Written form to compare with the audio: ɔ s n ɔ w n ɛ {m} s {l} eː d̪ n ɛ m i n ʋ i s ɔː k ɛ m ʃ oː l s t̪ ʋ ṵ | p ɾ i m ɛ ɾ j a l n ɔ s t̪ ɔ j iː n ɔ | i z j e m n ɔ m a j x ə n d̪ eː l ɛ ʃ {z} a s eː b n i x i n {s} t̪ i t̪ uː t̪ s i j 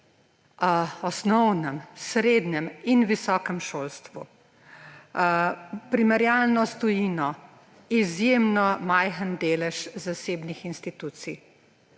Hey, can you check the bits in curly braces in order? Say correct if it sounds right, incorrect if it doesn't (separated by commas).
correct, incorrect, correct, correct